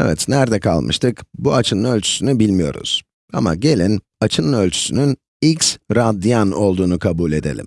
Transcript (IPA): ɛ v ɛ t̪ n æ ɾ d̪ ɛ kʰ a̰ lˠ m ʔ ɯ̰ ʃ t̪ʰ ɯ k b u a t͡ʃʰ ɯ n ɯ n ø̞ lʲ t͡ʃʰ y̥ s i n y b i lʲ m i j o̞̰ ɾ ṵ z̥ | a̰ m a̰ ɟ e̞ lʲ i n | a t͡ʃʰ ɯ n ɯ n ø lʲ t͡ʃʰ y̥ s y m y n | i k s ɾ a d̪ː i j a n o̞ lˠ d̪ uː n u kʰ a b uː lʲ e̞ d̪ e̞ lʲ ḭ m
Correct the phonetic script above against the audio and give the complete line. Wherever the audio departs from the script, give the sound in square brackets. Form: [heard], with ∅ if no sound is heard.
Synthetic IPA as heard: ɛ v ɛ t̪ n æ ɾ d̪ ɛ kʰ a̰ lˠ m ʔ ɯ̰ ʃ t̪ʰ ɯ k b u a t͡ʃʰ ɯ n ɯ n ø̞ lʲ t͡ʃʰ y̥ s [y] n y b i lʲ m i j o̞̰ ɾ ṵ z̥ | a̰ m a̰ ɟ e̞ lʲ i n | a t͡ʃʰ ɯ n ɯ n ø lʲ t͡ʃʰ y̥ s y [n] y n | i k s ɾ a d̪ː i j a n o̞ lˠ d̪ uː n u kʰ a b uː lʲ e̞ d̪ e̞ lʲ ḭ m